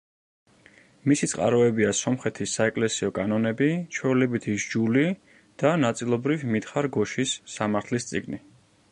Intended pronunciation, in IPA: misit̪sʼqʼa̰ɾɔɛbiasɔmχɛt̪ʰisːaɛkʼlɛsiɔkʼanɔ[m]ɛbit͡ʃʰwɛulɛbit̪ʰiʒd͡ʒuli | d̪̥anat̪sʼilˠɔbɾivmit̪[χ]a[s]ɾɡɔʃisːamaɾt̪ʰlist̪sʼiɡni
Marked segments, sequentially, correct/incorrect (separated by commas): incorrect, correct, incorrect